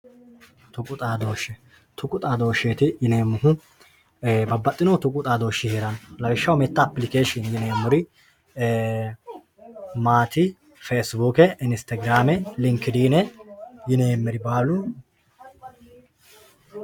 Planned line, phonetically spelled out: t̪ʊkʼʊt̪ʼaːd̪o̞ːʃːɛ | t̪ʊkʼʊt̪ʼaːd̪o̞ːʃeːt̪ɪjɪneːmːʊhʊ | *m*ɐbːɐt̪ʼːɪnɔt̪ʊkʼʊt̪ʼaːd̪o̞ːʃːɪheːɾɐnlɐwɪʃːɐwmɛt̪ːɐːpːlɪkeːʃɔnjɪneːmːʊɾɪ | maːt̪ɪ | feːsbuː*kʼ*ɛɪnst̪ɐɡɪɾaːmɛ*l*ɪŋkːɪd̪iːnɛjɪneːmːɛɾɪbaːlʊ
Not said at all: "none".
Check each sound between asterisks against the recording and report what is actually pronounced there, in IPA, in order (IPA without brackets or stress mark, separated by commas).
b, k, l